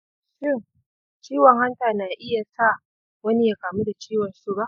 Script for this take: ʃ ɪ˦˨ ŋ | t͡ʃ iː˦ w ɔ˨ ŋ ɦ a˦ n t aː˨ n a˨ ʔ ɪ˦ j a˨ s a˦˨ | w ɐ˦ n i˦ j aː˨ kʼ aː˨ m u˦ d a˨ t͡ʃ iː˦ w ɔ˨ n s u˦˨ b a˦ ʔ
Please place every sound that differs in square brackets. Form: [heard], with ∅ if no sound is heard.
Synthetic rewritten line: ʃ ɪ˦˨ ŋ | t͡ʃ iː˦ w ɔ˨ ŋ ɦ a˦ n t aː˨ n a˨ ʔ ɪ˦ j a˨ s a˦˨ | w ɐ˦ n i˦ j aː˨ [k] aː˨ m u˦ d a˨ t͡ʃ iː˦ w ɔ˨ n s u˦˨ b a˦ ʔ